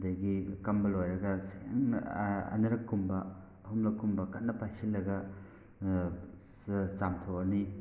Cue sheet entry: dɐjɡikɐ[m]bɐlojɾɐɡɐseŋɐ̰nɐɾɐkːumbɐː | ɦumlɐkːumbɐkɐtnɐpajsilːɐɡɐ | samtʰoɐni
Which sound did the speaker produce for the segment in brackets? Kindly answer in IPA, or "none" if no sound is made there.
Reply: m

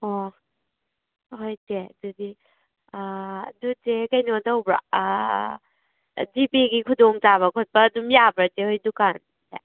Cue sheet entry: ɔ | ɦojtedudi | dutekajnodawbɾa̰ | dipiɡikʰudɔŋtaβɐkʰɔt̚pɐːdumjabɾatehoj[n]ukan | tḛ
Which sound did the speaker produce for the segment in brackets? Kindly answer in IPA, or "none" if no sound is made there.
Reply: d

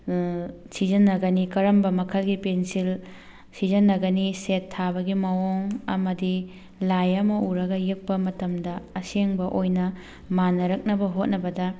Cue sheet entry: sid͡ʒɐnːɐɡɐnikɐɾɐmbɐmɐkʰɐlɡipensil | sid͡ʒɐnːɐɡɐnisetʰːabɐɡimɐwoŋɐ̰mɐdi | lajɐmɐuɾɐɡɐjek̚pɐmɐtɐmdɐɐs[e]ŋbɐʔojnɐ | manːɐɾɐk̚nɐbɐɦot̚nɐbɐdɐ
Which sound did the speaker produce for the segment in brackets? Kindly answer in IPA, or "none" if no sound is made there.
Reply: e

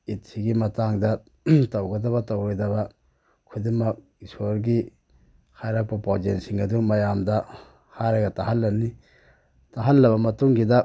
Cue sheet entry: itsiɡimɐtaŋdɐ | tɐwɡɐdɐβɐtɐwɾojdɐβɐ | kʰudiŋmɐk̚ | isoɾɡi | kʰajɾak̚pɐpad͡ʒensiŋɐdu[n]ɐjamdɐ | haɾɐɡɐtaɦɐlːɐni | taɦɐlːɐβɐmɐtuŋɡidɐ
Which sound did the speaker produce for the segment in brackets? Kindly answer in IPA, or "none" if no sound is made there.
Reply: m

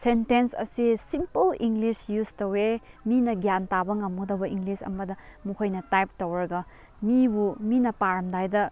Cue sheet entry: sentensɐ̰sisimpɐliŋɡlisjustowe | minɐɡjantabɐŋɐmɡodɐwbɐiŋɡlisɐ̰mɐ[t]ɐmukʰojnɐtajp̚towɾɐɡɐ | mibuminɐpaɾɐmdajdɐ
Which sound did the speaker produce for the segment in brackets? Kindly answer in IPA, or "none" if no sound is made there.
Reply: d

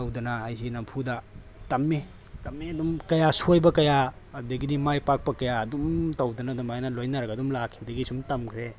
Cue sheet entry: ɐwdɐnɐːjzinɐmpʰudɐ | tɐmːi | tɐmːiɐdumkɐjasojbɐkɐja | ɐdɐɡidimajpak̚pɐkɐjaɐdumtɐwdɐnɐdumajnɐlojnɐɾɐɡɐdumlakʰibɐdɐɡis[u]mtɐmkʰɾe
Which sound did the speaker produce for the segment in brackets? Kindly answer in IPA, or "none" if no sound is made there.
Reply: u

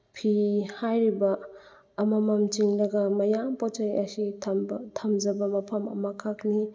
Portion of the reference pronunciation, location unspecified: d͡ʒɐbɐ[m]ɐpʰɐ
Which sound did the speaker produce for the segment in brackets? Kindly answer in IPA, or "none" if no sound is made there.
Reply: m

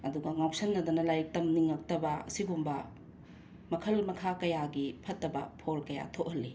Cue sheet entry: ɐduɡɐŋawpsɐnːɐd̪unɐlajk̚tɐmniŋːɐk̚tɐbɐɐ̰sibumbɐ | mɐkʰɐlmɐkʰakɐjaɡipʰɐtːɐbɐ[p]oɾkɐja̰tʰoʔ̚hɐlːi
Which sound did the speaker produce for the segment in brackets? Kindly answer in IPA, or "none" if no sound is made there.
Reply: pʰ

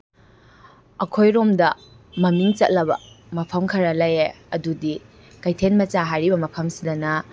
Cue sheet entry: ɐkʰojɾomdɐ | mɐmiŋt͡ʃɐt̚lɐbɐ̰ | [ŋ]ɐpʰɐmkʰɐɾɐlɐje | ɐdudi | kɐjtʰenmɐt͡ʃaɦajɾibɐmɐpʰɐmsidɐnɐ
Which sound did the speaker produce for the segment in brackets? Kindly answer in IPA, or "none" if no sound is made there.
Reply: m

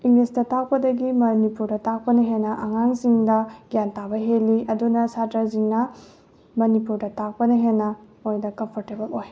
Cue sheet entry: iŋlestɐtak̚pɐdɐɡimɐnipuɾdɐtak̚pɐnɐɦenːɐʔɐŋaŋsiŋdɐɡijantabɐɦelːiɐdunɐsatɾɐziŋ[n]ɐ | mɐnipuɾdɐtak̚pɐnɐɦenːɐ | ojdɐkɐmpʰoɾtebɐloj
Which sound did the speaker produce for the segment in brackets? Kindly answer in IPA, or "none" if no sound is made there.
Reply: n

